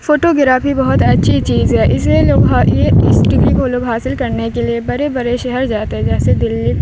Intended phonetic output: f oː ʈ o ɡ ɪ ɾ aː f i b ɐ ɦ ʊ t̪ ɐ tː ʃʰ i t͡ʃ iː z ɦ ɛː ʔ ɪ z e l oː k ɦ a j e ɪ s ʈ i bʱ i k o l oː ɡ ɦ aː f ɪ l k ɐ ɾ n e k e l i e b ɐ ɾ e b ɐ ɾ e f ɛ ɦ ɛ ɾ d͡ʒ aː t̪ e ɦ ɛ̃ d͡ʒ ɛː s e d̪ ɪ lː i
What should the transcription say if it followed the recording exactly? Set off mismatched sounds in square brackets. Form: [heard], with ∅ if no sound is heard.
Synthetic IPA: f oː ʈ o ɡ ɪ ɾ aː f i b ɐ ɦ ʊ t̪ ɐ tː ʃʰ i t͡ʃ iː z ɦ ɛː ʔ ɪ [s] e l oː [ɡ] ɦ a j e ɪ s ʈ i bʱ i k o l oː ɡ ɦ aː [s] ɪ l k ɐ ɾ n e k e l i e b ɐ ɾ e b ɐ ɾ e [ʃ] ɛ ɦ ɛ ɾ d͡ʒ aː t̪ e ɦ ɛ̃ d͡ʒ ɛː s e d̪ ɪ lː i